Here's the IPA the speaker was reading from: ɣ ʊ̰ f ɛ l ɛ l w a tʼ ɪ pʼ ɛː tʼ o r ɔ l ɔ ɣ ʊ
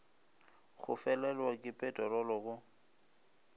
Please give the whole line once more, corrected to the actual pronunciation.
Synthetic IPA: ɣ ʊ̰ f ɛ l ɛ l w a kʼ ɪ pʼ ɛ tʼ ɔ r ɔ l ɔ ɣ ʊ